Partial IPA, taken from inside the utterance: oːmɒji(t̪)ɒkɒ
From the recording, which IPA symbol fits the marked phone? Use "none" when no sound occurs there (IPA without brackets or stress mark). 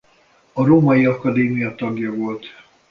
none